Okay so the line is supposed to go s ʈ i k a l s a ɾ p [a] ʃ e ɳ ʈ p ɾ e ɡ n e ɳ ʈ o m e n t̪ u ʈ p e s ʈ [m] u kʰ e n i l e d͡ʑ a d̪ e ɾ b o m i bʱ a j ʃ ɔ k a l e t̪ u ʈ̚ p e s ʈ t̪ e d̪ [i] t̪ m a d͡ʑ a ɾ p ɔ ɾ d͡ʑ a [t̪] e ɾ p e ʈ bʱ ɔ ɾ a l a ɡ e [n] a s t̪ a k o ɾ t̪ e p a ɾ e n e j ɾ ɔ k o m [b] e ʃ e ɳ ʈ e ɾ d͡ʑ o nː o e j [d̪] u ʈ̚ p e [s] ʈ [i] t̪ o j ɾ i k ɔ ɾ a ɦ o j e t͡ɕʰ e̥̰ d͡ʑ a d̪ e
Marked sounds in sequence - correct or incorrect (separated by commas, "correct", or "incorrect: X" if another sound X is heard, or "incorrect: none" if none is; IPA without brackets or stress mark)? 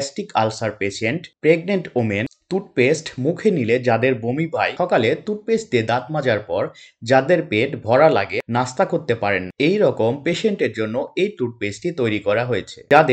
incorrect: e, correct, incorrect: a, incorrect: d̪, correct, incorrect: p, incorrect: t̪, correct, correct